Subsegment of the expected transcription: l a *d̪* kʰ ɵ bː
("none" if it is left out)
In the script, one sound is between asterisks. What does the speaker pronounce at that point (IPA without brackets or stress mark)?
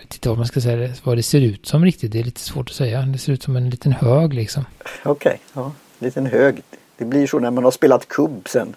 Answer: t̪